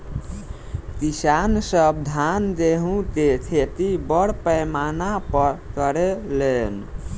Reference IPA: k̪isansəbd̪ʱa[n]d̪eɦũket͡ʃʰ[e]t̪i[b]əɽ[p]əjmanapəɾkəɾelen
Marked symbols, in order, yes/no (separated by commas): yes, yes, yes, yes